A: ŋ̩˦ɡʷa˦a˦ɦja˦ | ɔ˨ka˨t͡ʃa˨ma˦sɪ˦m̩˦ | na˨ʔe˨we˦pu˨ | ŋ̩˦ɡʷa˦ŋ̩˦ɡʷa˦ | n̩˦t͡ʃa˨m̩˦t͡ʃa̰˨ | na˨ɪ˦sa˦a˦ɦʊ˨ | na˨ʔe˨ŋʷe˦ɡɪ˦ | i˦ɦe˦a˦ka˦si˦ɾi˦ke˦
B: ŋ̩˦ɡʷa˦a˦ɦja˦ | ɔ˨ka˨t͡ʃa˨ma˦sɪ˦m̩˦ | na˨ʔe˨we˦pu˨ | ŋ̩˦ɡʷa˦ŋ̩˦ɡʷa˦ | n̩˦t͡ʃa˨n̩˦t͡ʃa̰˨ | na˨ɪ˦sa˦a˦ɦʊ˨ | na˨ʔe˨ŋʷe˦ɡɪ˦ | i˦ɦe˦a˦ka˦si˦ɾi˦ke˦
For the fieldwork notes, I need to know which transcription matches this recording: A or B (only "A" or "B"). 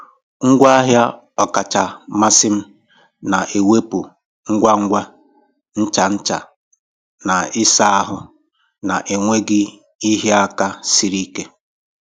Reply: B